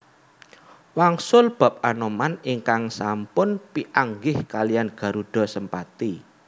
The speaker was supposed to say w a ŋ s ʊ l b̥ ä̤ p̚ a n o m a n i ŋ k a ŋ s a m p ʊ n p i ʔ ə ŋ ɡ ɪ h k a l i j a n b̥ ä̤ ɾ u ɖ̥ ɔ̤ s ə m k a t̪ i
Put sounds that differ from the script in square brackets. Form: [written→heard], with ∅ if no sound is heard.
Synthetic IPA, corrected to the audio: w a ŋ s ʊ l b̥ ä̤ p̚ a n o m a n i ŋ k a ŋ s a m p ʊ n p i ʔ [ə→a] ŋ ɡ ɪ h k a l i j a n [b̥→ɡ̥] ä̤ ɾ u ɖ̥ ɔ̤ s ə m [k→p] a t̪ i